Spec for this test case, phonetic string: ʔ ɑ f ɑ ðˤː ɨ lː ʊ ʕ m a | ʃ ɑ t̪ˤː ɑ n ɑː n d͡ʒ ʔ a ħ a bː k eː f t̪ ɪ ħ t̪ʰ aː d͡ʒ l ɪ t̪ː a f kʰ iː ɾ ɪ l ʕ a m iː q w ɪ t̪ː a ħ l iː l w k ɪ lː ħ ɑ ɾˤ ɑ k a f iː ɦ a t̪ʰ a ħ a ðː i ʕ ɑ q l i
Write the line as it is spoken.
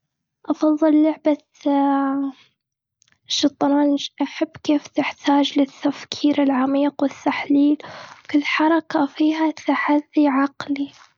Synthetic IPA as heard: ʔ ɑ f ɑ ðˤː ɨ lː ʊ ʕ b a | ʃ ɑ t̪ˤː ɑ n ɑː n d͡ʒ ʔ a ħ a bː k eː f t̪ ɪ ħ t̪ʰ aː d͡ʒ l ɪ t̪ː a f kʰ iː ɾ ɪ l ʕ a m iː q w ɪ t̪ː a ħ l iː l w k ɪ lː ħ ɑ ɾˤ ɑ k a f iː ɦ a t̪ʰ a ħ a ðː i ʕ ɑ q l i